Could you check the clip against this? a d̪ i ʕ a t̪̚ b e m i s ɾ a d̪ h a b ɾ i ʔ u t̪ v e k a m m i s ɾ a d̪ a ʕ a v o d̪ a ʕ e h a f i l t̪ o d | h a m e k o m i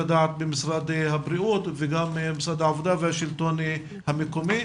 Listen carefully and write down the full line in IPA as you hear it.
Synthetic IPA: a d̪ a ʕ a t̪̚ b e m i s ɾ a d̪ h a b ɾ i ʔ u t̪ v e ɡ a m m i s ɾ a d̪ a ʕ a v o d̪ a v e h a ʃ i l t̪ o n | h a m e k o m i